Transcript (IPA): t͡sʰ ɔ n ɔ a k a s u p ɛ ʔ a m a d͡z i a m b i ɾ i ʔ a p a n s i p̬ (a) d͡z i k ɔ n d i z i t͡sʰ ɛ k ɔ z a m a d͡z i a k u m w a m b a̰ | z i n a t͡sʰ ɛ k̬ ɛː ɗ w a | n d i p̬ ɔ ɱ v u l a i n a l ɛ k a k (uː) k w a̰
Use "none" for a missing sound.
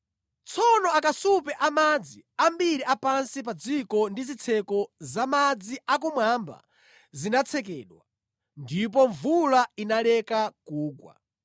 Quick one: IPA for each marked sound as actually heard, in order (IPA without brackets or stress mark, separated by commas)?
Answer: a, uː